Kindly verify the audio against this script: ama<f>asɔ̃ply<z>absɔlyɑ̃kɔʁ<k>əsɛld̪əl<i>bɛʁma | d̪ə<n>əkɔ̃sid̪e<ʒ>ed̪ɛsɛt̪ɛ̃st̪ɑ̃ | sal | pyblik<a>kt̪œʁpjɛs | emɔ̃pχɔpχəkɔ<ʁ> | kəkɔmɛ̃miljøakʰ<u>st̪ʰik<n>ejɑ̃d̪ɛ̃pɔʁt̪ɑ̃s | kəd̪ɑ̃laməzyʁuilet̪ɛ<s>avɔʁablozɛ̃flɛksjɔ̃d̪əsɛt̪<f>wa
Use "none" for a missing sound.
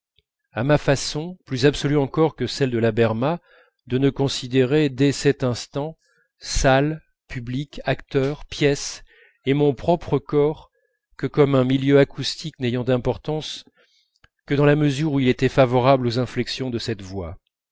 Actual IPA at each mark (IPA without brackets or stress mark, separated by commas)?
f, z, k, a, n, ʁ, a, ʁ, u, n, f, v